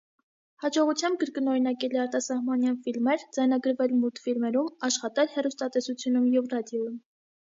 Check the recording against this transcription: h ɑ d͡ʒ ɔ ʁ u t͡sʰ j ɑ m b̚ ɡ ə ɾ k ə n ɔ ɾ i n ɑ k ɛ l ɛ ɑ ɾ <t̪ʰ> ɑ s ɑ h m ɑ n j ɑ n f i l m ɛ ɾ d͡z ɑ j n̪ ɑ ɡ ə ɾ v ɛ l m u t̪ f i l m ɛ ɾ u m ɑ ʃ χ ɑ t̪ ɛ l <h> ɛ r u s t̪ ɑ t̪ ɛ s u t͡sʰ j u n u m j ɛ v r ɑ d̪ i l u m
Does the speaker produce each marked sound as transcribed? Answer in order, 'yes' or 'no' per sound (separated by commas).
no, yes